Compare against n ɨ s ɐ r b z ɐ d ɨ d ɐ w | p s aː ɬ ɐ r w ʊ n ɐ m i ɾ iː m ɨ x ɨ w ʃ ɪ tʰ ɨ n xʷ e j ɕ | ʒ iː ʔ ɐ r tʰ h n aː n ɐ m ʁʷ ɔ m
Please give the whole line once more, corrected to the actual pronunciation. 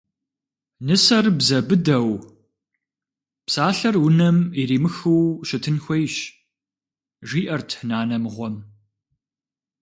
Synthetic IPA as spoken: n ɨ s ɐ r b z ɐ b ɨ d ɐ w | p s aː ɬ ɐ r w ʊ n ɐ m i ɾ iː m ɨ x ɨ w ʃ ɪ tʰ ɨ n xʷ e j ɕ | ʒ iː ʔ ɐ r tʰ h n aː n ɐ m ʁʷ ɔ m

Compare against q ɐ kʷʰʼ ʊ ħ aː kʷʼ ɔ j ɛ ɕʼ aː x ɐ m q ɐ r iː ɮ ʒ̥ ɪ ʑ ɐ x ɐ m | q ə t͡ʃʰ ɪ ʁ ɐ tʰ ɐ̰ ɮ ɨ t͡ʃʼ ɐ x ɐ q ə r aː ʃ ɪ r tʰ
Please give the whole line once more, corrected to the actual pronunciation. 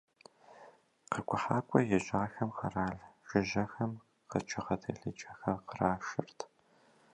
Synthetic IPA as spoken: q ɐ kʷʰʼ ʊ ħ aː kʷʼ ɔ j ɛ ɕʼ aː x ɐ m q ɐ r aː ɮ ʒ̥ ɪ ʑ ɐ x ɐ m | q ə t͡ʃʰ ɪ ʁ ɐ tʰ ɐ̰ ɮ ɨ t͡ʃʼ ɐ x ɐ q ə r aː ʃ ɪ r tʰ

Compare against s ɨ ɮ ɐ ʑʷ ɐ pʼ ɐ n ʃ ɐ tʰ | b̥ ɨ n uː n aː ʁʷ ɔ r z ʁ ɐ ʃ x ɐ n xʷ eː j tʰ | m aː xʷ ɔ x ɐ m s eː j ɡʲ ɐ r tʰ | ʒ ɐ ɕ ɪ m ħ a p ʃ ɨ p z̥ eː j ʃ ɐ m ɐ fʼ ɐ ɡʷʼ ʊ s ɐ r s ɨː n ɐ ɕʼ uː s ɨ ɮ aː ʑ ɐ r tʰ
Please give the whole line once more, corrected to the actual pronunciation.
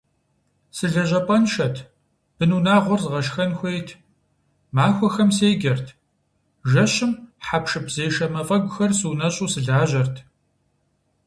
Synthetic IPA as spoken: s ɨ ɮ ɐ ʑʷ ɐ pʼ ɐ n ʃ ɐ tʰ | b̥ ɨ n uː n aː ʁʷ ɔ r z ʁ ɐ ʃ x ɐ n xʷ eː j tʰ | m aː xʷ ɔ x ɐ m s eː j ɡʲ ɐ r tʰ | ʒ ɐ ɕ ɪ m ħ a p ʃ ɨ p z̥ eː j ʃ ɐ m ɐ fʼ ɐ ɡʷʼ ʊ x ɐ r s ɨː n ɐ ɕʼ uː s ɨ ɮ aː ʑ ɐ r tʰ

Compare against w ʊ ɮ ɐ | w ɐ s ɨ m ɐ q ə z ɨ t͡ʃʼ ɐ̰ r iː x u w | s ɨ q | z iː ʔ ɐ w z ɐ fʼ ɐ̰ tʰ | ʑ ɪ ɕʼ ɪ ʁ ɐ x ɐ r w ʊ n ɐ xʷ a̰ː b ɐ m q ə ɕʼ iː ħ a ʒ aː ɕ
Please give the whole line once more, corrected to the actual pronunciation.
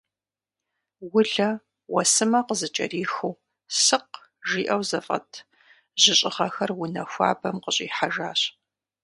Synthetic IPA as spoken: w ʊ ɮ ɐ | w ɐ s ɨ m ɐ q ə z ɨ t͡ʃʼ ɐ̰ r iː x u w | s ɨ q | ʒ iː ʔ ɐ w z ɐ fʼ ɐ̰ tʰ | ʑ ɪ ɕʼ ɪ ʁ ɐ x ɐ r w ʊ n ɐ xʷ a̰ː b ɐ m q ə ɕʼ iː ħ a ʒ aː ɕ

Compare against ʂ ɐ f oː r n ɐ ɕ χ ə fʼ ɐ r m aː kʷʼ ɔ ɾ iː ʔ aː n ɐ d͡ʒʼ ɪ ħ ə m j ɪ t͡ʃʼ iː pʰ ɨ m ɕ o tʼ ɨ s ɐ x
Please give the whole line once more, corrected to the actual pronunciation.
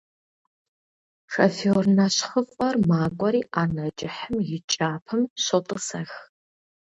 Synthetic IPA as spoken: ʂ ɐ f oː r n ɐ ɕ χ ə fʼ ɐ r m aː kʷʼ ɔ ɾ iː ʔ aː n ɐ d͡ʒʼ ɪ ħ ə m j ɪ t͡ʃʼ aː pʰ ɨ m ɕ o tʼ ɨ s ɐ x

